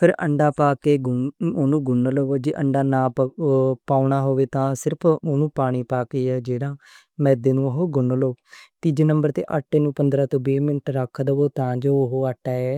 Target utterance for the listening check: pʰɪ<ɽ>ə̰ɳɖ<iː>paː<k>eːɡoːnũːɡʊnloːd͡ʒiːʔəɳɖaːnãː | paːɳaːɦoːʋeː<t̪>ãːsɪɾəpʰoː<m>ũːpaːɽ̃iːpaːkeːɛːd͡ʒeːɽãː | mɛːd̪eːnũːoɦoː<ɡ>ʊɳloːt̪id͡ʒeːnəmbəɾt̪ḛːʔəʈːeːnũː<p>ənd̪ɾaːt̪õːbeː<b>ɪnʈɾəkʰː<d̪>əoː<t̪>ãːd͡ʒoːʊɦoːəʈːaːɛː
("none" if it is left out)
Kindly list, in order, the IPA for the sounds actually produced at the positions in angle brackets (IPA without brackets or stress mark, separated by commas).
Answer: ɾ, aː, k, t̪, n, ɡ, p, m, d̪, t̪